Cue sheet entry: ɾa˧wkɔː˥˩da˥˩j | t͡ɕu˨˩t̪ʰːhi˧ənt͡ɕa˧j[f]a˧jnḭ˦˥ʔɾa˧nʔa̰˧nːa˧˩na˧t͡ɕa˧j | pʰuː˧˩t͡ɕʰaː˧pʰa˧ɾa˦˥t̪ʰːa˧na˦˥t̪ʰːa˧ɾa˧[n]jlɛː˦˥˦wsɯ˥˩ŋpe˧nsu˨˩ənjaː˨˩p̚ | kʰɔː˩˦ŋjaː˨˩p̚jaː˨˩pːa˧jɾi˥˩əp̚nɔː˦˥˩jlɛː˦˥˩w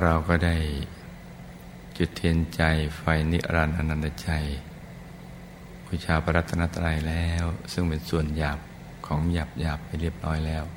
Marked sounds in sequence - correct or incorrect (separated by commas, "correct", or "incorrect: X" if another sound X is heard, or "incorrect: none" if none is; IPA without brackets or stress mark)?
correct, incorrect: none